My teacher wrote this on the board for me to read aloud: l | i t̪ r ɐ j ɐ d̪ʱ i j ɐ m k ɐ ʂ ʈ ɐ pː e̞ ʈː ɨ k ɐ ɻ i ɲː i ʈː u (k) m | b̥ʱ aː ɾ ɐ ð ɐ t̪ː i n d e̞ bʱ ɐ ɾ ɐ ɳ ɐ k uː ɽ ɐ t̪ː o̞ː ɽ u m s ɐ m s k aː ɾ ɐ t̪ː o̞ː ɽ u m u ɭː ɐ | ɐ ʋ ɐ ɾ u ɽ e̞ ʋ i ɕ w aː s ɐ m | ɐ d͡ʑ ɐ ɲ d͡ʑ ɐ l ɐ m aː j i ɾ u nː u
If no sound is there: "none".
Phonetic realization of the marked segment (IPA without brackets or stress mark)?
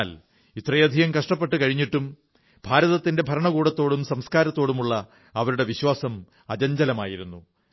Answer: none